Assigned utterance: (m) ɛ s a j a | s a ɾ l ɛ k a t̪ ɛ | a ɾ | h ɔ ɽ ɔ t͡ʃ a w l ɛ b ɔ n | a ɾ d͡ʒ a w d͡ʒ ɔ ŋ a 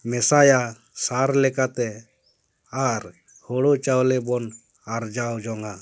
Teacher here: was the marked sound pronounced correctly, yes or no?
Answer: yes